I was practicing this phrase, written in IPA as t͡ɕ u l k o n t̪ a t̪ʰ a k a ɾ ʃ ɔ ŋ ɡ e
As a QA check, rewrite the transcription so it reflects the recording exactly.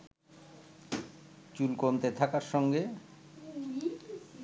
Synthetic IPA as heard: t͡ɕ u l k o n t̪ e t̪ʰ a k a ɾ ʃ ɔ ŋ ɡ e